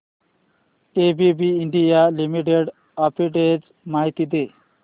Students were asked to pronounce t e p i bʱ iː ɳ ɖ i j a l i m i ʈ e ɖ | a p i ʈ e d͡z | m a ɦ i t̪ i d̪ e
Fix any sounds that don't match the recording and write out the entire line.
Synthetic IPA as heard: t e b i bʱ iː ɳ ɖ i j a l i m i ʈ e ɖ | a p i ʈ e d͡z | m a ɦ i t̪ i d̪ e